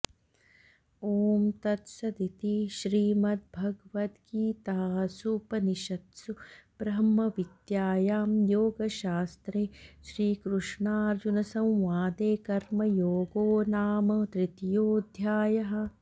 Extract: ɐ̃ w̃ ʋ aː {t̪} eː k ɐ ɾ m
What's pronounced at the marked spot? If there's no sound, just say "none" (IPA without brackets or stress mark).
d̪